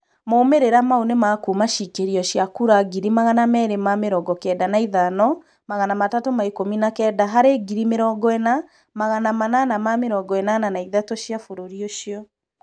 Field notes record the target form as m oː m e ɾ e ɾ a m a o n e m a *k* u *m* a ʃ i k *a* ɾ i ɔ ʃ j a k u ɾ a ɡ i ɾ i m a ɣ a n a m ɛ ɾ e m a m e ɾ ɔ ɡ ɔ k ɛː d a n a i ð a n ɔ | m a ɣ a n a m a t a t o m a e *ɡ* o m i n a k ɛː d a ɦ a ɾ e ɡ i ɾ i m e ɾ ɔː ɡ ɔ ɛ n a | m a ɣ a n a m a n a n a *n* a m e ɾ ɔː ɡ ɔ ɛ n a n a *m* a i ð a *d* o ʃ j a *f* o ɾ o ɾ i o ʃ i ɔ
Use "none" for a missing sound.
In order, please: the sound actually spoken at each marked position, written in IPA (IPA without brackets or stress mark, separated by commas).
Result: k, m, e, k, m, n, t, f